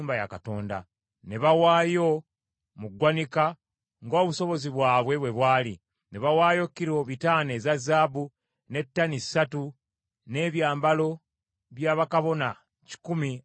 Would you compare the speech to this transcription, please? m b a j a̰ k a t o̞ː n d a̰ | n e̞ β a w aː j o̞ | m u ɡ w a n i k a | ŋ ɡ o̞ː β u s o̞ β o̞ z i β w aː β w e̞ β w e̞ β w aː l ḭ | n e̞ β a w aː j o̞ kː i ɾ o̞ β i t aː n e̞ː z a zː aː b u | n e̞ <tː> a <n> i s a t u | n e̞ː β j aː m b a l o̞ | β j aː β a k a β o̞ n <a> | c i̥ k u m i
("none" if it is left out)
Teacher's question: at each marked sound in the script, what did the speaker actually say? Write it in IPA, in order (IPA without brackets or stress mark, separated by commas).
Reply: tː, n, a